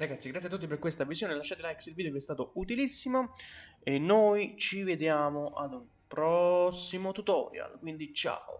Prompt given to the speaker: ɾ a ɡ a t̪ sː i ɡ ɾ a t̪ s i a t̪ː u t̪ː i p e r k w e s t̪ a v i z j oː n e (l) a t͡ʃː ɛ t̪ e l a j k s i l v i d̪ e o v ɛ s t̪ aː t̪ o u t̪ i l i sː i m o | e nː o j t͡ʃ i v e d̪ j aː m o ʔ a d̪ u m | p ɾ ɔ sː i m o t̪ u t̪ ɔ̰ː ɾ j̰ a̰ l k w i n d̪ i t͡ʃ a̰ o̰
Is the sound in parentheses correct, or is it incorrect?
correct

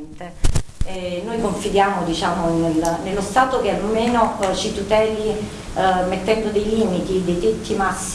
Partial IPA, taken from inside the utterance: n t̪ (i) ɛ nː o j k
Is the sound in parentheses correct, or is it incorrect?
incorrect: e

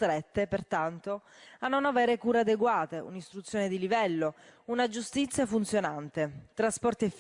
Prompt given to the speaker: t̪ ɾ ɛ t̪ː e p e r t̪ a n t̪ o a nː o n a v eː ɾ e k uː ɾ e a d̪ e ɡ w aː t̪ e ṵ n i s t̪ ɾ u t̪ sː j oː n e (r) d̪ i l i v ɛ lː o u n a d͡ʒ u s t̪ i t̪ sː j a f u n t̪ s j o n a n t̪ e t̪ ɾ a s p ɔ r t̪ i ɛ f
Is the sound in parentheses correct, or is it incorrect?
incorrect: none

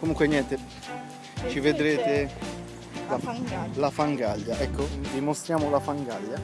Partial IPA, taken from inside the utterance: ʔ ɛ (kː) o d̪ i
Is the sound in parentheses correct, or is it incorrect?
correct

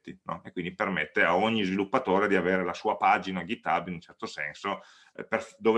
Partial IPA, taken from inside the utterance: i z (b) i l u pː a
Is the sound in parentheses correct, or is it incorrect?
incorrect: v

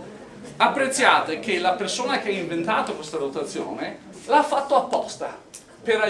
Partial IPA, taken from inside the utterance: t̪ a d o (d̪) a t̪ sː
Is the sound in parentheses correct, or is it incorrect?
incorrect: t̪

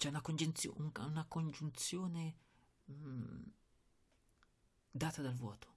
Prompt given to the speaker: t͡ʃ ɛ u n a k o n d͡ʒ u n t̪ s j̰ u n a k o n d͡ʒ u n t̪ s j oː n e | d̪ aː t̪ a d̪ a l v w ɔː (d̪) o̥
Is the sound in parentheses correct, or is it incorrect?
incorrect: t̪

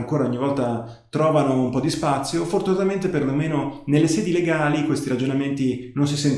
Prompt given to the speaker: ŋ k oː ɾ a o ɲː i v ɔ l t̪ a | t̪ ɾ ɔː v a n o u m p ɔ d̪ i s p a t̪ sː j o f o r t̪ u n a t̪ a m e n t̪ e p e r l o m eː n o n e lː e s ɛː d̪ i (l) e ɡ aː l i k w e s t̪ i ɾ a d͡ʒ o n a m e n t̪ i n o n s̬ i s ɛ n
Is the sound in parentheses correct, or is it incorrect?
correct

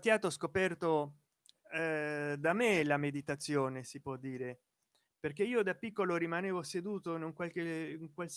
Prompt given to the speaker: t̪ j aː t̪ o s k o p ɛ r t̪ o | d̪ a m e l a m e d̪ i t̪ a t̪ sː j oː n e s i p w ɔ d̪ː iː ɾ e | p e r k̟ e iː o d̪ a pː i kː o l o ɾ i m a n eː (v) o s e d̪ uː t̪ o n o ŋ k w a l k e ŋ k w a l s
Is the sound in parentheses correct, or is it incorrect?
correct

